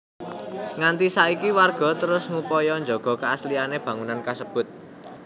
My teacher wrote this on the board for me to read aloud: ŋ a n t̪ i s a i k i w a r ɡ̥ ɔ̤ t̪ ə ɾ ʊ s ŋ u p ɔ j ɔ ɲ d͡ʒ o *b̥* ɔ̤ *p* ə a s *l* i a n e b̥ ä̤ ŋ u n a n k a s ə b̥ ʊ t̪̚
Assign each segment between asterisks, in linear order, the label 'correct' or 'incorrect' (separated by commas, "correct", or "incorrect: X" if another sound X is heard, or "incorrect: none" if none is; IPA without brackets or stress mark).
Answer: incorrect: ɡ̥, incorrect: k, correct